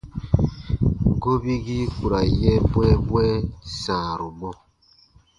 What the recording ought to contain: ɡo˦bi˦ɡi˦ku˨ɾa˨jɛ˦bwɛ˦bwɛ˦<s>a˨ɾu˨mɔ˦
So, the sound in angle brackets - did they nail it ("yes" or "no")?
yes